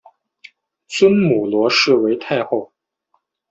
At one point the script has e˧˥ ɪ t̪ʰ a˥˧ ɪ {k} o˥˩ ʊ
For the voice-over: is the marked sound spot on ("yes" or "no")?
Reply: no